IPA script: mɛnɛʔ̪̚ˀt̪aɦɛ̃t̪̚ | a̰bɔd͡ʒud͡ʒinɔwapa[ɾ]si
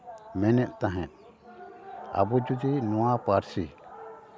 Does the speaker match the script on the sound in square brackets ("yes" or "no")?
yes